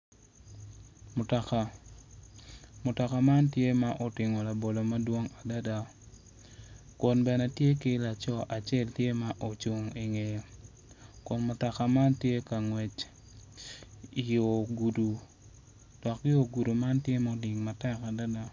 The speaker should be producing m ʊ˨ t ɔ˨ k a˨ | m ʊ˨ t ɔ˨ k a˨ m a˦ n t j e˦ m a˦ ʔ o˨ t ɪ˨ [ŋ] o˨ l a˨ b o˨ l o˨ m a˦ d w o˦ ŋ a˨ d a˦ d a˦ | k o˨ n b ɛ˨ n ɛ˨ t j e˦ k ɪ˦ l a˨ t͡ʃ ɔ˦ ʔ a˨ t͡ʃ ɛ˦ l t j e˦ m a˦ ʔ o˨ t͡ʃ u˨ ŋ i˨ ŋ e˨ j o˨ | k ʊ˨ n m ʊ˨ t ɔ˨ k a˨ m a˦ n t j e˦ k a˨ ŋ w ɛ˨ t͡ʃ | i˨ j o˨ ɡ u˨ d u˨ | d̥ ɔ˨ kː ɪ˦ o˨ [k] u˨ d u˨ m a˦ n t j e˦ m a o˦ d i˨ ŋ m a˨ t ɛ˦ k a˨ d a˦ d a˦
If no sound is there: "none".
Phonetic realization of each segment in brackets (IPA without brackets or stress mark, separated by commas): ŋ, ɡ